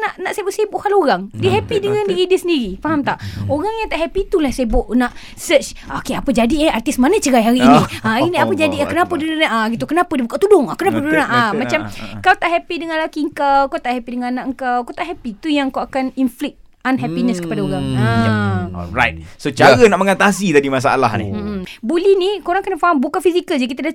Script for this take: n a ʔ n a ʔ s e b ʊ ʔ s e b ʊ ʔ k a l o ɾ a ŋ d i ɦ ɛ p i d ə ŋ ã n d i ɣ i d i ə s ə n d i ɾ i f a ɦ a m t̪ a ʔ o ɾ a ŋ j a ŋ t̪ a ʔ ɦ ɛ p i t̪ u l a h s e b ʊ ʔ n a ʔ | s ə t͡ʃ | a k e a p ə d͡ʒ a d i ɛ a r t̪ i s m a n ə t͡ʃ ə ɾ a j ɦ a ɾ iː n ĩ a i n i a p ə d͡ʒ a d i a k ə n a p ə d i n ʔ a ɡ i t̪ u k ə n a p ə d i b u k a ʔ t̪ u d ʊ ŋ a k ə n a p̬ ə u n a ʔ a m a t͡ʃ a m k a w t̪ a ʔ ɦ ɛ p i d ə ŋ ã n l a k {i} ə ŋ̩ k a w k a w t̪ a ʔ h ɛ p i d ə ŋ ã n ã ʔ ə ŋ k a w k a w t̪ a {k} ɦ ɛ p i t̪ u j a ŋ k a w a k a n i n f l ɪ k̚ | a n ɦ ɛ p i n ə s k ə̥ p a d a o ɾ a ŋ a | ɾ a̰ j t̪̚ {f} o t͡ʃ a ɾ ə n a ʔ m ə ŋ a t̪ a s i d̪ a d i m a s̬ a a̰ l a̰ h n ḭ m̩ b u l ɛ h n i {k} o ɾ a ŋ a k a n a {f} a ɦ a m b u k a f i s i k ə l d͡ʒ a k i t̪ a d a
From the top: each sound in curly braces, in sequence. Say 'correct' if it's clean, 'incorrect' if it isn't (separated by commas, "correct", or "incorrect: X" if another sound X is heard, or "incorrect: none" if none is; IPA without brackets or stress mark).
correct, incorrect: ʔ, incorrect: s, correct, correct